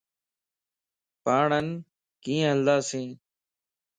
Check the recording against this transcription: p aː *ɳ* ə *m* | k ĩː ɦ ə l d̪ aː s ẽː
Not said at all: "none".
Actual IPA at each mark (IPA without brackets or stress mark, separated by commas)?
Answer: ɳ, n